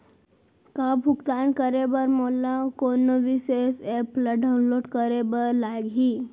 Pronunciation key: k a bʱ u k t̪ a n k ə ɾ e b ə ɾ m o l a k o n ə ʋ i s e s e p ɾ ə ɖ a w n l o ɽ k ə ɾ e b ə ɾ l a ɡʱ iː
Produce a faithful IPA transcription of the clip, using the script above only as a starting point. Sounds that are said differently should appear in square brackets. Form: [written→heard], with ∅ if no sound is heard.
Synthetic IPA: k a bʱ u k t̪ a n k ə ɾ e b ə ɾ m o l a k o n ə ʋ i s e s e p [ɾ→l] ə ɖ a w n l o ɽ k ə ɾ e b ə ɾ l a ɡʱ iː